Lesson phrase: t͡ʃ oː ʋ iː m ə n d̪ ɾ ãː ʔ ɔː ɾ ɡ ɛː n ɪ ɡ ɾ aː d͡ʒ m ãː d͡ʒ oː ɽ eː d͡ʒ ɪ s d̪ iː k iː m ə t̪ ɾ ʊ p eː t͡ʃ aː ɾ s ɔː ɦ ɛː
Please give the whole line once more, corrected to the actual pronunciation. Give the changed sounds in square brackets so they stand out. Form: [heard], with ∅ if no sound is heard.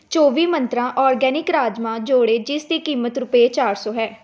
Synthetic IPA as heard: t͡ʃ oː ʋ iː m ə n [t̪] ɾ ãː ʔ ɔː ɾ ɡ ɛː n ɪ [k] ɾ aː d͡ʒ m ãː d͡ʒ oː ɽ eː d͡ʒ ɪ s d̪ iː k iː m ə t̪ ɾ ʊ p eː t͡ʃ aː ɾ s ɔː ɦ ɛː